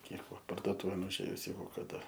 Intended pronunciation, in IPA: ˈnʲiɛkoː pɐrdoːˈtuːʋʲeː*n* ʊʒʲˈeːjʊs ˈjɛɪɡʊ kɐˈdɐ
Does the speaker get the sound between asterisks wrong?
no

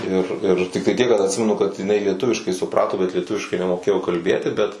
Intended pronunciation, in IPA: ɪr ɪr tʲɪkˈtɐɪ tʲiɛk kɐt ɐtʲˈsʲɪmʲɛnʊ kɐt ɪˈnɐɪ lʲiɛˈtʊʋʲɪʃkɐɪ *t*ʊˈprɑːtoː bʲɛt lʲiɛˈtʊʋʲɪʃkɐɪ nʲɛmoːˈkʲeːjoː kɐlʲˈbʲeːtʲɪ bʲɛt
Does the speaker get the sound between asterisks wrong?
yes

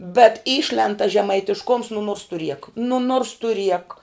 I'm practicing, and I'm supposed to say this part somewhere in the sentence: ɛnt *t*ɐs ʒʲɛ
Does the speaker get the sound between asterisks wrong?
no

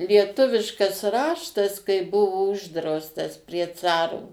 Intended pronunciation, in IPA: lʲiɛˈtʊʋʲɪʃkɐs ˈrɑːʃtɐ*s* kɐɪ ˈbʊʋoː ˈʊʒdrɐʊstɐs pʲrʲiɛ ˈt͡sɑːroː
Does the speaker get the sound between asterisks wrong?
no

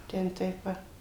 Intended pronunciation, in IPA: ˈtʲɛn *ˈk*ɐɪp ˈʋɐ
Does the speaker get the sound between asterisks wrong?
yes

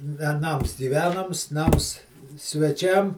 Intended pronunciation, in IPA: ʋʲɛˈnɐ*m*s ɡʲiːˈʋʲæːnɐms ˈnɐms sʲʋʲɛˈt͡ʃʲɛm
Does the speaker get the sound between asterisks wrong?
no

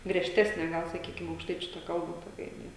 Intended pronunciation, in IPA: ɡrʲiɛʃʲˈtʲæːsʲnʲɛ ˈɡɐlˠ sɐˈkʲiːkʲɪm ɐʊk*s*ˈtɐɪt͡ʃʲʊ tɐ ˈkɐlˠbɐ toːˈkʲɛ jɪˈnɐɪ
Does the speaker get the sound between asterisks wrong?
yes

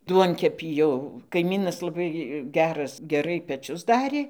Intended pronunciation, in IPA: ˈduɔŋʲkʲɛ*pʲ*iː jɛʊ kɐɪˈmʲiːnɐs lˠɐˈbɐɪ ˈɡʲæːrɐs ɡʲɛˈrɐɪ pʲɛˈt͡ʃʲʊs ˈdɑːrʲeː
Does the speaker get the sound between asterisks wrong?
no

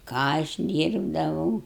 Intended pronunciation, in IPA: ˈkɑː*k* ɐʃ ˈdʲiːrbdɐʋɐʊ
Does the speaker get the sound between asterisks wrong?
yes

